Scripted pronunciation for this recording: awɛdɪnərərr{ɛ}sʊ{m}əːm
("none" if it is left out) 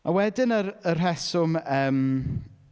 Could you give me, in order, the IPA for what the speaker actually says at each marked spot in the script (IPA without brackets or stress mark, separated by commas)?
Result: ɛ, m